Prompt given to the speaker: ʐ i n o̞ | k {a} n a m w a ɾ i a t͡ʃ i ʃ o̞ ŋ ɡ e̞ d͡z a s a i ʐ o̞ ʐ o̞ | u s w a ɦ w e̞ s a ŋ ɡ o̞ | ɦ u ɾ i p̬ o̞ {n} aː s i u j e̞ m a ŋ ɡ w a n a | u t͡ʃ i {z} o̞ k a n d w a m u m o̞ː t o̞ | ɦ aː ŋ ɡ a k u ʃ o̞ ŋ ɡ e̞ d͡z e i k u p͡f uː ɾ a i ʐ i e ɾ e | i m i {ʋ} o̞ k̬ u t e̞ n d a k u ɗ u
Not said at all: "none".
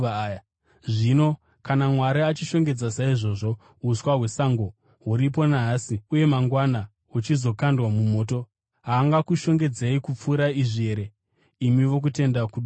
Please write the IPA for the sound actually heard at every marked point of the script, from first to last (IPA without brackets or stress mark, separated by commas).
a, n, z, ʋ